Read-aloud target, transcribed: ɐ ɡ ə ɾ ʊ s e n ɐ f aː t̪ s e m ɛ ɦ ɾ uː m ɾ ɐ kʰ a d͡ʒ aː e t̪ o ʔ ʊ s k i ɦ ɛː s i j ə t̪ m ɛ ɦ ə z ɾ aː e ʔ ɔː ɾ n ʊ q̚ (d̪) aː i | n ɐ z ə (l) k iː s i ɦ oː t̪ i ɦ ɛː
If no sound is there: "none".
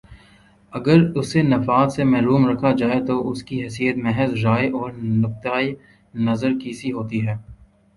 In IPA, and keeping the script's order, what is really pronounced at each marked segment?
t̪, ɾ

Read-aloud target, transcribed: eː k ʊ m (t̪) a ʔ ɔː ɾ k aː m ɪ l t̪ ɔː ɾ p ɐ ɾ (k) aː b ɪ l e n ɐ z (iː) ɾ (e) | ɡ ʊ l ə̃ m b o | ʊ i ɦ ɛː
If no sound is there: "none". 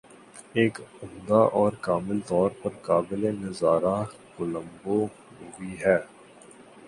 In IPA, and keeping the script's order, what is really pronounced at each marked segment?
d̪, k, aː, a

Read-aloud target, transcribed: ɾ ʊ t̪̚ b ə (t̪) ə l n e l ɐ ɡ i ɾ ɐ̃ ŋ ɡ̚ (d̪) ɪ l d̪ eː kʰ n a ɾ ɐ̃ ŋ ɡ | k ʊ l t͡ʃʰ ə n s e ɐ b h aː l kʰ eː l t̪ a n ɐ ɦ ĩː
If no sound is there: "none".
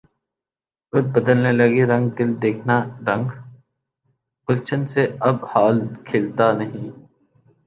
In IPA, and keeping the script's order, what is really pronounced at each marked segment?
d̪, d̪

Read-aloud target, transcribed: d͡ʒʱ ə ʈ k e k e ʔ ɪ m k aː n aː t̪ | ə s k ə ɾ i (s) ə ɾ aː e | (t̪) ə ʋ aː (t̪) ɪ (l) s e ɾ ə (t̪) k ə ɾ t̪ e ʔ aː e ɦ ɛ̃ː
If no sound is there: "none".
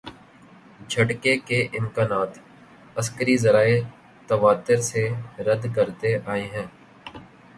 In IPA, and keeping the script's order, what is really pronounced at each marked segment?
z, t̪, t̪, ɾ, d̪

